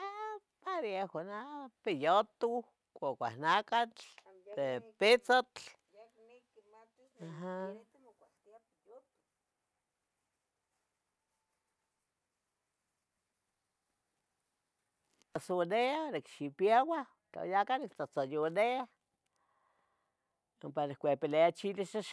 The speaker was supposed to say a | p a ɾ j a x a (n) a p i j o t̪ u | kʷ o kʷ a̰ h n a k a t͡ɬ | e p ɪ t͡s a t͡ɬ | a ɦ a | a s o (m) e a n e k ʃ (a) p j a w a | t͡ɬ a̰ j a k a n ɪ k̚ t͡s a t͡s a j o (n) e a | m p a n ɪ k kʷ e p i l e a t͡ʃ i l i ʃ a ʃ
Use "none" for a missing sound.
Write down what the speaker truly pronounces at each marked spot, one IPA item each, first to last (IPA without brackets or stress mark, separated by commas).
n, n, i, n